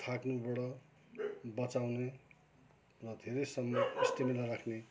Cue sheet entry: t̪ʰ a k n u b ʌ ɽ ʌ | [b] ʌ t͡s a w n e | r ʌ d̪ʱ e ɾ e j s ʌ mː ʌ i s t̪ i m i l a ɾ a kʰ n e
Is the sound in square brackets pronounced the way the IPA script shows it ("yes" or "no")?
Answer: yes